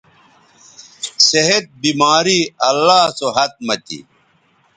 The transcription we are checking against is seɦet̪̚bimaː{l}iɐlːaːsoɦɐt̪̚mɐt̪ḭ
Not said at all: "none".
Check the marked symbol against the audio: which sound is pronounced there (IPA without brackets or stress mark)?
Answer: ɾ